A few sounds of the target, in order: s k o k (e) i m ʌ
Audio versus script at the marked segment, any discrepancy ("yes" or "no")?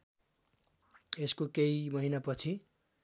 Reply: no